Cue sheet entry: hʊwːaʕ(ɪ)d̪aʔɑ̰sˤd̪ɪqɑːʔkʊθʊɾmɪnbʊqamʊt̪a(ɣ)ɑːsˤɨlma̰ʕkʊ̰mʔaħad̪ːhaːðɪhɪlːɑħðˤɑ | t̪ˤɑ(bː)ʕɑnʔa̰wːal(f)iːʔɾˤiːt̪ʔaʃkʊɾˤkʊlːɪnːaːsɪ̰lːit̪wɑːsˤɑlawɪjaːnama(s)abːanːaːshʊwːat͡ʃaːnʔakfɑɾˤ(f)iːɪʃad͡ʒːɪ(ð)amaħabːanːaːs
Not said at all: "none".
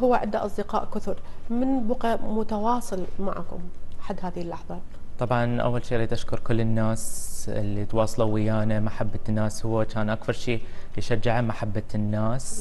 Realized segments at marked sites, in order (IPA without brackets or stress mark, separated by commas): ɪ, w, b, ʃ, ħ, ʃ, ʕ